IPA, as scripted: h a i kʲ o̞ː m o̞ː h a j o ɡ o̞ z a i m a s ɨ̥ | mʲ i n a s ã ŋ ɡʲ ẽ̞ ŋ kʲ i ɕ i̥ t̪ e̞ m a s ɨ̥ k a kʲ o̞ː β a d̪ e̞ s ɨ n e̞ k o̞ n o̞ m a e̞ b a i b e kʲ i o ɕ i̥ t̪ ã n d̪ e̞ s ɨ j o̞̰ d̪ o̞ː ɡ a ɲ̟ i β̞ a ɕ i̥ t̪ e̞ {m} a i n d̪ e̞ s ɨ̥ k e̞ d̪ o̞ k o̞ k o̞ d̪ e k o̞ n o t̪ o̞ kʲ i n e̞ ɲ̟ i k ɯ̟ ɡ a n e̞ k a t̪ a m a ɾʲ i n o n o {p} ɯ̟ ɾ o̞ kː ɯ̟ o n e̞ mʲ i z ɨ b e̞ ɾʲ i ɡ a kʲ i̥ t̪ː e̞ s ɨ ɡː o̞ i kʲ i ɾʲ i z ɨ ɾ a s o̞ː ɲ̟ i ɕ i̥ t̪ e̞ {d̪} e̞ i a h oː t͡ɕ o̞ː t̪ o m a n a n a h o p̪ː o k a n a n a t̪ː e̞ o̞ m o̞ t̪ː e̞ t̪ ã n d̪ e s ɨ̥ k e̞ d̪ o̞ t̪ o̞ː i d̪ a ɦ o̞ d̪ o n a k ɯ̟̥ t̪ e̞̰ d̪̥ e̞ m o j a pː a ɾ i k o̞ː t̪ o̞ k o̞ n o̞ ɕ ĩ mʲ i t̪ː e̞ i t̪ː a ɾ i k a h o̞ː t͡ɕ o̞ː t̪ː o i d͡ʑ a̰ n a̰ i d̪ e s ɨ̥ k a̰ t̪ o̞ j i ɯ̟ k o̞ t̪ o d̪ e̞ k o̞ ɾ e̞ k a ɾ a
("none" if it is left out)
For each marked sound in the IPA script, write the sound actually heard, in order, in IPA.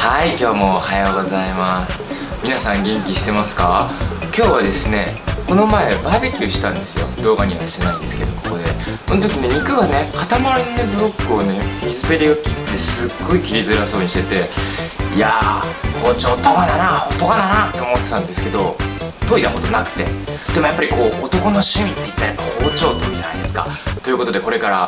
n, b, t̪

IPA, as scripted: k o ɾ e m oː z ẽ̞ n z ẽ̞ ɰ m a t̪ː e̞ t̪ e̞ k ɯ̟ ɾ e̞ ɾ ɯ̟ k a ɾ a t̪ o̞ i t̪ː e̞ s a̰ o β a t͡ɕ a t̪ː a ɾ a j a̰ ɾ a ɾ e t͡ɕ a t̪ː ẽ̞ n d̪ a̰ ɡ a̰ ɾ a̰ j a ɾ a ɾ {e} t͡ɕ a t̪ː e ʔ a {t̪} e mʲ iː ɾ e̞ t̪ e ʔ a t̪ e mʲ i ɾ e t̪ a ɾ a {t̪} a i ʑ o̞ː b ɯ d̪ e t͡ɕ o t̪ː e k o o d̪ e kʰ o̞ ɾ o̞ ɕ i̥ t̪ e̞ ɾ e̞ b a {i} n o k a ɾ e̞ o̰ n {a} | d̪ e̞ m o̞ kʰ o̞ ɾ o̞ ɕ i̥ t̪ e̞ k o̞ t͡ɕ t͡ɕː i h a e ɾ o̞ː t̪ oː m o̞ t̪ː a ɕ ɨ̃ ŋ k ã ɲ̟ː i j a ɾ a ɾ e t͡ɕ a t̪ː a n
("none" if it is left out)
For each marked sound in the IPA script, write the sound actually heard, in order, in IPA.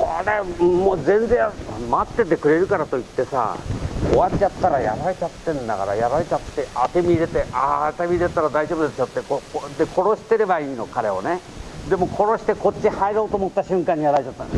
e, t̪, d̪, iː, e

